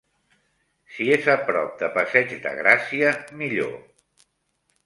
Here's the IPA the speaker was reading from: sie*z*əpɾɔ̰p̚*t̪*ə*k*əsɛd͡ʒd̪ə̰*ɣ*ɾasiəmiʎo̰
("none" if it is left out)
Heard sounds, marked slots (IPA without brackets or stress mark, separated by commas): z, d̪, p, ɣ